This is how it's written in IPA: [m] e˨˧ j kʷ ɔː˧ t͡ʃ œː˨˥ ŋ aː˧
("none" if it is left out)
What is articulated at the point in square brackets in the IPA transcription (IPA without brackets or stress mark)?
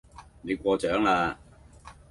n